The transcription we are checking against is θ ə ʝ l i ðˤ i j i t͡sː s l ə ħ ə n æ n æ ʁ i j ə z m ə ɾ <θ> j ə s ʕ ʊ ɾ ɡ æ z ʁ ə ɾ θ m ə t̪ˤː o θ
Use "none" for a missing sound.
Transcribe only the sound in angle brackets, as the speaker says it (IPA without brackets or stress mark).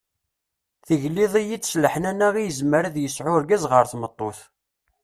ð